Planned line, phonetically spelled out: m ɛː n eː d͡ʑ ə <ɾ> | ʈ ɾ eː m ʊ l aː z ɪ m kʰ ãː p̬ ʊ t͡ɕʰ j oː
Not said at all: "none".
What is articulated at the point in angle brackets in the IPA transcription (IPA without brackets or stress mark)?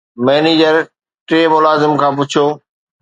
ɾ